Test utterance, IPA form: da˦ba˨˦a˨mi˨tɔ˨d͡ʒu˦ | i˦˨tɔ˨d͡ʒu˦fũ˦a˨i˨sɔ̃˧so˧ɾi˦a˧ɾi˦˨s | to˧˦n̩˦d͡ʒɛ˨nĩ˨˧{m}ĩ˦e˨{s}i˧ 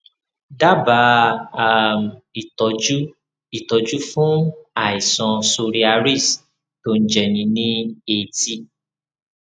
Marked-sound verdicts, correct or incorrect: incorrect, incorrect

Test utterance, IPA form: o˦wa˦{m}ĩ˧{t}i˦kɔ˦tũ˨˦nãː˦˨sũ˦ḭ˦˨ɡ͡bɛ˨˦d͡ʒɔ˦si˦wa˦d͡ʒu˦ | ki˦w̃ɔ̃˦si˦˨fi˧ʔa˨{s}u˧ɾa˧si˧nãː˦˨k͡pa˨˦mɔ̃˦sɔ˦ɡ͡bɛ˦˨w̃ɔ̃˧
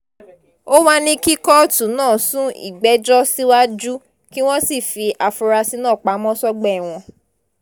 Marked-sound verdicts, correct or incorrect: incorrect, incorrect, incorrect

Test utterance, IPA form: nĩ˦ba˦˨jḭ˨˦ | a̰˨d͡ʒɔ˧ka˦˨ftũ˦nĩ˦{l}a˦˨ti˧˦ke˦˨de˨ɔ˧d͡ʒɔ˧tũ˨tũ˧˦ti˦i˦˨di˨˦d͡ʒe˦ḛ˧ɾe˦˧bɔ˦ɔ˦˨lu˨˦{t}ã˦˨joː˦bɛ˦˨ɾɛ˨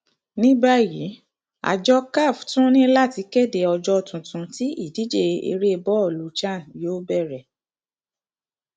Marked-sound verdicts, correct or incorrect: correct, incorrect

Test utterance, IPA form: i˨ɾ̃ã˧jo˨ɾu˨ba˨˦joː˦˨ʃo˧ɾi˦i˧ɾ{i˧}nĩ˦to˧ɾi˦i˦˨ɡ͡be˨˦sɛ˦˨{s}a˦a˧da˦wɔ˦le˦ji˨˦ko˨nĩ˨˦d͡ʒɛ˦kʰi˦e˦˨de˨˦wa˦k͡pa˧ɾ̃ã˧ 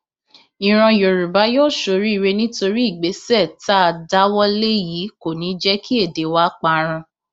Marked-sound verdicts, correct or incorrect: incorrect, incorrect

